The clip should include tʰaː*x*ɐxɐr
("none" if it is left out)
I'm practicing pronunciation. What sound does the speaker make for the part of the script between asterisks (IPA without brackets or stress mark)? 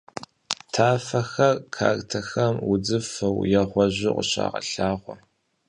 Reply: f